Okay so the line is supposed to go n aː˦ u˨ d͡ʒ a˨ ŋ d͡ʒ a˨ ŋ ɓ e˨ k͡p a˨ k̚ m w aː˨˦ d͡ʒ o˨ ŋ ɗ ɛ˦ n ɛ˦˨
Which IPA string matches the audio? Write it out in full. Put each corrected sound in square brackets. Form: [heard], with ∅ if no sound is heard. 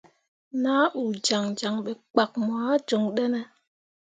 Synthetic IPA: n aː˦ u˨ d͡ʒ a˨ ŋ d͡ʒ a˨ ŋ ɓ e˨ k͡p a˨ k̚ m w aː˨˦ d͡ʒ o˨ ŋ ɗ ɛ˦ n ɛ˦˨